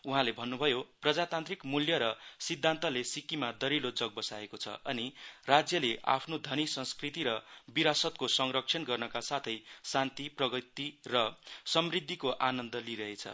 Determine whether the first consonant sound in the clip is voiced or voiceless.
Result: voiced